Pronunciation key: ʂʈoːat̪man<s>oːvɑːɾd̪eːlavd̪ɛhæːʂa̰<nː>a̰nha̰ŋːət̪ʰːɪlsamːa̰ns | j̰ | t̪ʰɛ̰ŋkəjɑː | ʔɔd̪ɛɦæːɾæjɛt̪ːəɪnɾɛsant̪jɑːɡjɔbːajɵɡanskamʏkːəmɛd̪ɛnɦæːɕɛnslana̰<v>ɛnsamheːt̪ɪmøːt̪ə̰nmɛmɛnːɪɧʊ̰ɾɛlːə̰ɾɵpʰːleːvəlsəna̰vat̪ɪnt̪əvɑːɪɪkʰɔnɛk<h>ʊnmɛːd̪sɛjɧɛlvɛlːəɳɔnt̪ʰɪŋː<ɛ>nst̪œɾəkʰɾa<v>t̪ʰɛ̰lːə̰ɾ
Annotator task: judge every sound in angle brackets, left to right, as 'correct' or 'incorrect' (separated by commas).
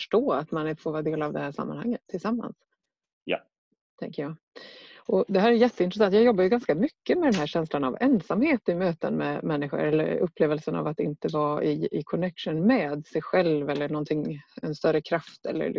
incorrect, incorrect, correct, incorrect, correct, incorrect